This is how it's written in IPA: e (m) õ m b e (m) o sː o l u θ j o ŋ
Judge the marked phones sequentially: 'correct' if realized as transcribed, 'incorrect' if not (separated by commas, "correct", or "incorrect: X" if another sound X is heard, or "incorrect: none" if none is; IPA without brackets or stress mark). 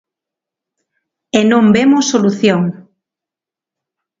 incorrect: n, correct